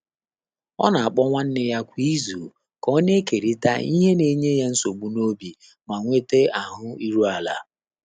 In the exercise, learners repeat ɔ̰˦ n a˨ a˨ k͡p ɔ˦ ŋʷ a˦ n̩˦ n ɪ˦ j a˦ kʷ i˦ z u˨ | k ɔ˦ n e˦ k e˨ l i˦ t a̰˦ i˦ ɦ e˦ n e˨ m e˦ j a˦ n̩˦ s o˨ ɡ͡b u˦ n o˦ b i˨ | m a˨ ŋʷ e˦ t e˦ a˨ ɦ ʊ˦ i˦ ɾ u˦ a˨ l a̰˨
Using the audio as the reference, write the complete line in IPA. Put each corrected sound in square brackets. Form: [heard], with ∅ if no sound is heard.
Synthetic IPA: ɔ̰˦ n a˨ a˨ k͡p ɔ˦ ŋʷ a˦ n̩˦ n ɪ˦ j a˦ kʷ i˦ z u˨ | k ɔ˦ n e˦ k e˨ [ɾ] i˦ t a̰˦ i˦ ɦ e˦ n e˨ [ɲ] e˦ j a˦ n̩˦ s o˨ ɡ͡b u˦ n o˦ b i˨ | m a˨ ŋʷ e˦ t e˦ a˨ ɦ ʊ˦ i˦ ɾ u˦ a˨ l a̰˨